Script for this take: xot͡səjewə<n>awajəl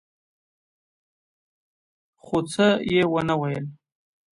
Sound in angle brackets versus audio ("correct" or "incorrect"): correct